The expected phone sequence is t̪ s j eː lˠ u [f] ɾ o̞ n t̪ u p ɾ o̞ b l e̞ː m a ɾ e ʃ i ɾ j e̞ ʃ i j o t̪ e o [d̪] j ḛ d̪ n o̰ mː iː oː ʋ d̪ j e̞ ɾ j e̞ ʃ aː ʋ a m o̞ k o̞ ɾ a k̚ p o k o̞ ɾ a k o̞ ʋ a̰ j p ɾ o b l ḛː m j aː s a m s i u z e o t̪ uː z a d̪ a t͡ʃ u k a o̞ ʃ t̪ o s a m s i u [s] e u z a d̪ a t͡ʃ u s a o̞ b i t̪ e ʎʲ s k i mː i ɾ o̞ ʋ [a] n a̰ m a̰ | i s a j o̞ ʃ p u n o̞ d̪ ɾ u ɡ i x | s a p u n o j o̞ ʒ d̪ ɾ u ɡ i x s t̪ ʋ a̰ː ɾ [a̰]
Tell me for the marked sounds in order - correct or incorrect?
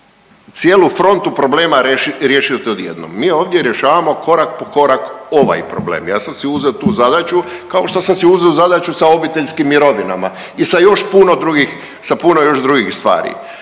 correct, correct, incorrect: z, incorrect: i, incorrect: ḭ

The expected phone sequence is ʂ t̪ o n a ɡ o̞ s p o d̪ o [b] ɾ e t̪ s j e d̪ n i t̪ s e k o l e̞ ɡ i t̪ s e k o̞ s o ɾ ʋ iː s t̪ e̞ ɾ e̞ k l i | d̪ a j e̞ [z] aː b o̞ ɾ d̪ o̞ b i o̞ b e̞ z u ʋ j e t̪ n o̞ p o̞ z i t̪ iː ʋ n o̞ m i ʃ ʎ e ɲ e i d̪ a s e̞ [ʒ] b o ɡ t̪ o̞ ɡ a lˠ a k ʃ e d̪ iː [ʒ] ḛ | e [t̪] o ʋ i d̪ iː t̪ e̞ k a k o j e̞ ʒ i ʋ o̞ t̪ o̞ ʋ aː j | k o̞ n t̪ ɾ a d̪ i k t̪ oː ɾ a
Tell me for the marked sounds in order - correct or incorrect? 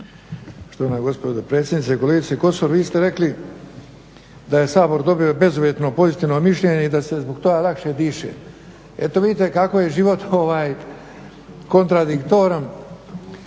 incorrect: p, incorrect: s, incorrect: z, incorrect: ʃ, correct

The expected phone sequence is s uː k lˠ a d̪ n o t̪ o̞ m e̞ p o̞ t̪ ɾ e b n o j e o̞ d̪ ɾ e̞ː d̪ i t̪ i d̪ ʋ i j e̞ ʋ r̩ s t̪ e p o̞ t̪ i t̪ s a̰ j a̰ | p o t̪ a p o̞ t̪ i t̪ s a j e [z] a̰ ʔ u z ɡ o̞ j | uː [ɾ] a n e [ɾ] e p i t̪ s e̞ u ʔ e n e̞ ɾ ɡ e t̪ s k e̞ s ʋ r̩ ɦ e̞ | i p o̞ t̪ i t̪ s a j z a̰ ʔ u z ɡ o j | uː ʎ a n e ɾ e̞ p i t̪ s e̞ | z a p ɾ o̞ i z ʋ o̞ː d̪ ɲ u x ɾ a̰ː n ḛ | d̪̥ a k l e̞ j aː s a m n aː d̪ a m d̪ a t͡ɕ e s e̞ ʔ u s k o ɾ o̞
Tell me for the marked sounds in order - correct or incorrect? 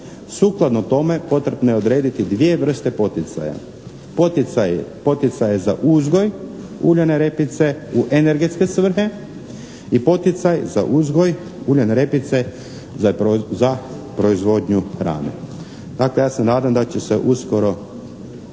correct, incorrect: ʎ, correct

